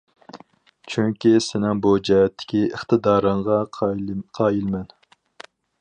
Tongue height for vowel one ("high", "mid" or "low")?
high